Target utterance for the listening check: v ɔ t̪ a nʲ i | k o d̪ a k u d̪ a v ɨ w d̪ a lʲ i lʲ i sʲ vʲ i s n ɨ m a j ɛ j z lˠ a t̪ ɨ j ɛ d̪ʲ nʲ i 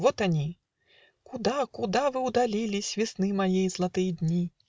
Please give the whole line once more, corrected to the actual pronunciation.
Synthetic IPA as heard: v ɔ t̪ a nʲ i | k u d̪ a k u d̪ a v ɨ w d̪ a lʲ i lʲ i sʲ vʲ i s n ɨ m a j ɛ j z lˠ a t̪ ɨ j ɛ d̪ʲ nʲ i